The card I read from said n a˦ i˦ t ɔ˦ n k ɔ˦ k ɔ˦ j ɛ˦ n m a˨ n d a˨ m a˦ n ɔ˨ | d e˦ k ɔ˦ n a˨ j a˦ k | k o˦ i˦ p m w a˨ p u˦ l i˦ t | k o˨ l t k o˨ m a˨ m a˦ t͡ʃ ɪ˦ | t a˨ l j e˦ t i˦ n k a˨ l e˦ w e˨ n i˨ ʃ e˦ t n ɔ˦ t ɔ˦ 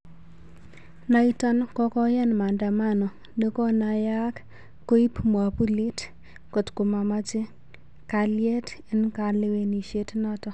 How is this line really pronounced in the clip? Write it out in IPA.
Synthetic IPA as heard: n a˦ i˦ t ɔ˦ n k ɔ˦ k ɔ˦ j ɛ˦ n m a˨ n d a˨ m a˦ n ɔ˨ | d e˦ k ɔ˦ n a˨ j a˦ k | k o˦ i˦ p m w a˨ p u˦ l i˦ t | k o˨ t k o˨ m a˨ m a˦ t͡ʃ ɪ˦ | k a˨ l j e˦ t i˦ n k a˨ l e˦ w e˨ n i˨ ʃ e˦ t n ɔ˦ t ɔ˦